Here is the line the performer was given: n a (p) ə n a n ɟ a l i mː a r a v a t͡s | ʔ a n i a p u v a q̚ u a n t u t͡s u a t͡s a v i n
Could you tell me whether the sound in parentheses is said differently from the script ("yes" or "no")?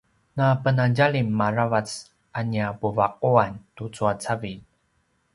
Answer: no